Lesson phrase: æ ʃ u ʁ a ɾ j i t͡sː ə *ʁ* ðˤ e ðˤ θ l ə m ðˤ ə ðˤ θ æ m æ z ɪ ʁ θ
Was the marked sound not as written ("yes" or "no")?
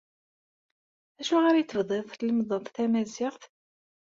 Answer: yes